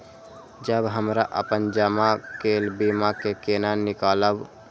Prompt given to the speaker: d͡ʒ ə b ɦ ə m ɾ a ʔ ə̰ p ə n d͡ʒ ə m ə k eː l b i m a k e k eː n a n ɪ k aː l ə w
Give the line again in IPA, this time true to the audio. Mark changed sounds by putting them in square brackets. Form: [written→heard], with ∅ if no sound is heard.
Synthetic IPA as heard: d͡ʒ ə b ɦ ə m ɾ a ʔ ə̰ p ə n d͡ʒ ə m [ə→a] k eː l b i m a k e k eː n a n ɪ k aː l ə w